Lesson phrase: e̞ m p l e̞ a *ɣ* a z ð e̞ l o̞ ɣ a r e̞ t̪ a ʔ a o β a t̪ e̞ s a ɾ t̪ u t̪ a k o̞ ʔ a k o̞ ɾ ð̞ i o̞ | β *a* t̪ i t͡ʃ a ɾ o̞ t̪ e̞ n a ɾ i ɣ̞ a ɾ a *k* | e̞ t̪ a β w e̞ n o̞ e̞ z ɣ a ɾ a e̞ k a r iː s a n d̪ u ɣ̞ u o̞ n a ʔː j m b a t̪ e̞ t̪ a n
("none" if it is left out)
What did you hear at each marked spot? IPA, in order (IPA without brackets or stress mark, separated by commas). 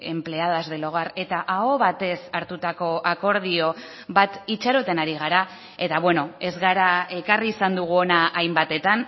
ð, a, none